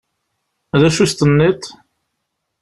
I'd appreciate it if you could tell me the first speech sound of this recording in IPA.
ð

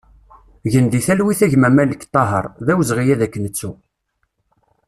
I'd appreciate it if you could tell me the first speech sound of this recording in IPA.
ʝ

